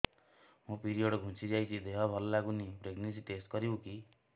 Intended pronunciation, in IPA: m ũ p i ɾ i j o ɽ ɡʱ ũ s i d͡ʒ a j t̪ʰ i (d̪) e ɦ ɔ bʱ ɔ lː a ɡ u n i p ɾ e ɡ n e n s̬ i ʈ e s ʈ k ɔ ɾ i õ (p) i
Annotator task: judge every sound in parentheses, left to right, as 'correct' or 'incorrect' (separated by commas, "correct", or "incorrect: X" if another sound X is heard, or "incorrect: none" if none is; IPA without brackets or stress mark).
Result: correct, incorrect: k